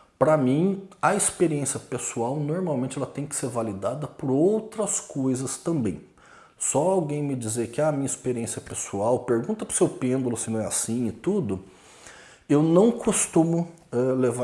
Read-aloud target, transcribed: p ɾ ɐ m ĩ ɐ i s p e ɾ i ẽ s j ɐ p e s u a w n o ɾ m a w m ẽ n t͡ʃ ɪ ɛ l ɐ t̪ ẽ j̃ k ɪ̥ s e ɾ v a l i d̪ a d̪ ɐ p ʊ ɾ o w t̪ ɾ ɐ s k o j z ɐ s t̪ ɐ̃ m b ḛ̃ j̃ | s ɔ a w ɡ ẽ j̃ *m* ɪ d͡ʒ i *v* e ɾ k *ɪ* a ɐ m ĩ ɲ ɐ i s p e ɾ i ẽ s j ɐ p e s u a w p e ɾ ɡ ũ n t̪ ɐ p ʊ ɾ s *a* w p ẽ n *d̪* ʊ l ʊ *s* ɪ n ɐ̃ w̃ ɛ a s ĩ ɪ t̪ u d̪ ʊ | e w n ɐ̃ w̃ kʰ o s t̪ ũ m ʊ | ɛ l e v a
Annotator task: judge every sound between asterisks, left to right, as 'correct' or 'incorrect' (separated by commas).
correct, incorrect, correct, incorrect, correct, correct